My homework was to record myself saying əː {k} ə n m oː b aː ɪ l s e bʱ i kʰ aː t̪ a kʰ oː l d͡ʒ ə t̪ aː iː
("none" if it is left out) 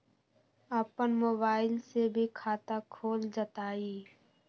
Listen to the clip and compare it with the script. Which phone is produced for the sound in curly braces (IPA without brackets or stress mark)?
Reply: p